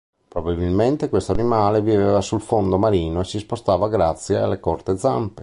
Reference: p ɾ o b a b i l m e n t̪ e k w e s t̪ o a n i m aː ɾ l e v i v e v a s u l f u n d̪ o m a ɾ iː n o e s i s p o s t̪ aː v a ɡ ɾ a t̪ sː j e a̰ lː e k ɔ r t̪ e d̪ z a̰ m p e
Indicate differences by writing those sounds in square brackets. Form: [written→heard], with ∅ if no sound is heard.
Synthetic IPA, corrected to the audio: p ɾ o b a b i l m e n t̪ e k w e s t̪ o a n i m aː [ɾ→∅] l e v i v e v a s u l f [u→o] n d̪ o m a ɾ iː n o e s i s p o s t̪ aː v a ɡ ɾ a t̪ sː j e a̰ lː e k ɔ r t̪ e d̪ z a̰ m p e